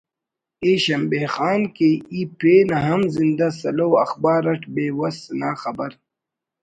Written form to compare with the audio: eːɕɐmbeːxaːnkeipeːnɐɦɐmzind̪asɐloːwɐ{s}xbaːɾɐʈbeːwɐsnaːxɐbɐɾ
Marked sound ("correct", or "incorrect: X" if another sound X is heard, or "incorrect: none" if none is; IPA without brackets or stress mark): incorrect: none